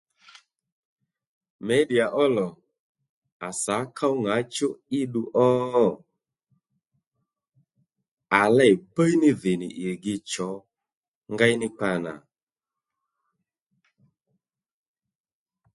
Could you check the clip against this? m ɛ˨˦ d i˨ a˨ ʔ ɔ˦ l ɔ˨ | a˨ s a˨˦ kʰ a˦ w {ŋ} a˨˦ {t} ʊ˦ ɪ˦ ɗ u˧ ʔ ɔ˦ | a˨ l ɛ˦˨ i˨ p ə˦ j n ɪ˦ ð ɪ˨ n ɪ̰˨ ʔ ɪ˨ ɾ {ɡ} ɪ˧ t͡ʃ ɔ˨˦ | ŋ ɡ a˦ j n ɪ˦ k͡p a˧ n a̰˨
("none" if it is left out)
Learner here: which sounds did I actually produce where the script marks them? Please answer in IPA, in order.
ŋ, t͡ʃ, ɡ

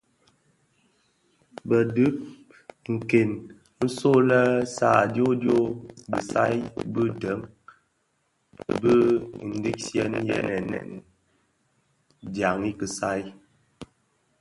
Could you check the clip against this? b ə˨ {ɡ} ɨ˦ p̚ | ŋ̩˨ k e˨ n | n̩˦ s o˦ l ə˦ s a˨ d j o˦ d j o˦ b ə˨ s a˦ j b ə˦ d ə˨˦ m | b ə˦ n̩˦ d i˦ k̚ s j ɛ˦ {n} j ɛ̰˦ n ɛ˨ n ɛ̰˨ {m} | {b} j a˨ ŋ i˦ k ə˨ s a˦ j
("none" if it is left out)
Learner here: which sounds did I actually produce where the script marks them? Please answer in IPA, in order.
d, n, n, d

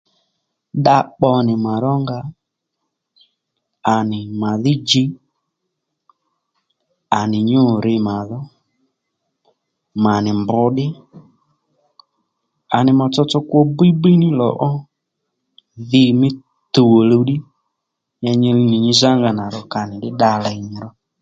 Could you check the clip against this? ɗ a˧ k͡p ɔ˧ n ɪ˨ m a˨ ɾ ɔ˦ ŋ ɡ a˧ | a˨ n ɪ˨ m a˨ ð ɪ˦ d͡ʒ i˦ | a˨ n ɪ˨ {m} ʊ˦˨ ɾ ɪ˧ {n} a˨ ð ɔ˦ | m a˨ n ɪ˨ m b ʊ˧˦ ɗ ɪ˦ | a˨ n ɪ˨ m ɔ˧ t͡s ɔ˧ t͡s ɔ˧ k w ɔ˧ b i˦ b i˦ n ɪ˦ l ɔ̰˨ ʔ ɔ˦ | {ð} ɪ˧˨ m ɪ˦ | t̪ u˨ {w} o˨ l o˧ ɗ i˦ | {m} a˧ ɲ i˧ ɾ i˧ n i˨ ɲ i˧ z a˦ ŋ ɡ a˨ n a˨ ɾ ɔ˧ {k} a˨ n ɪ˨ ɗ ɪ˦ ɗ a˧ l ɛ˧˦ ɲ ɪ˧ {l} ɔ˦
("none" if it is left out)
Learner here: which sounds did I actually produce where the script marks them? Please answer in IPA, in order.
ɲ, m, ð, w, ɲ, k, ɾ

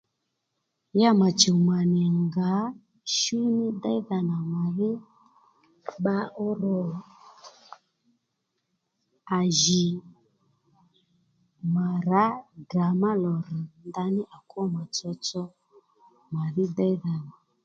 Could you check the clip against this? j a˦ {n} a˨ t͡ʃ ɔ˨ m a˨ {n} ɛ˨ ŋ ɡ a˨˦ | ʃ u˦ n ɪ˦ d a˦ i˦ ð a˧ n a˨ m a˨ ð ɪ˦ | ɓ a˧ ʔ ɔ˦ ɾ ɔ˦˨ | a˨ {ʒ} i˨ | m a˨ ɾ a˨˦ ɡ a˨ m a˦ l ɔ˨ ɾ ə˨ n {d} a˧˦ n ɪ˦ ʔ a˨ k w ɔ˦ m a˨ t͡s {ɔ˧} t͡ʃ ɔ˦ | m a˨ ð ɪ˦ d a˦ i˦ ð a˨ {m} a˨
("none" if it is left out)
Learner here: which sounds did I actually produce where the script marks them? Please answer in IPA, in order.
m, n, ʒ, d, ɔ˧, n

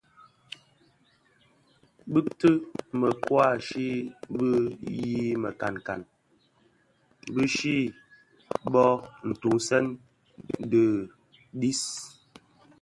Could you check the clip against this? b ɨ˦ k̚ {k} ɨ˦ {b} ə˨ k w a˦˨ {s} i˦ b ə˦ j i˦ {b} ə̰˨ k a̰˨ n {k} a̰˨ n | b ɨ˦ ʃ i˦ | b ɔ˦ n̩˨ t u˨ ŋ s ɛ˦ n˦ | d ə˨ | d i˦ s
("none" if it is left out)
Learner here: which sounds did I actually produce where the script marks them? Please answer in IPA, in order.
t, m, ʃ, m, k

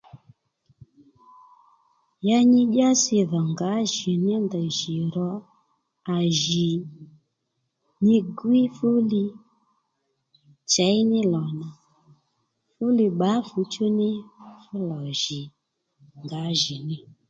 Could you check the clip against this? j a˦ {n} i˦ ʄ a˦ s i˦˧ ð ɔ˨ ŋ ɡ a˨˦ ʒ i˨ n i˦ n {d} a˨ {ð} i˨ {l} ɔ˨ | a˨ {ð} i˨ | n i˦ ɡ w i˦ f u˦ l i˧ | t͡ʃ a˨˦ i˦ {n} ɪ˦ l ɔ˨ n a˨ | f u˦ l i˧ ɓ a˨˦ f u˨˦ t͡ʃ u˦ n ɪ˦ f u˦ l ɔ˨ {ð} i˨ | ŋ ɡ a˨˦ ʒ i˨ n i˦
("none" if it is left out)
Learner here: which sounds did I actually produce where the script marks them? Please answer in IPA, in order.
ɲ, d, ʒ, ɾ, ʒ, n, ʒ

